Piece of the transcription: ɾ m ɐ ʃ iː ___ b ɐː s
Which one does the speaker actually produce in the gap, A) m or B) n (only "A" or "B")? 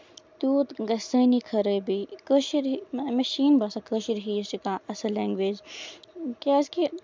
B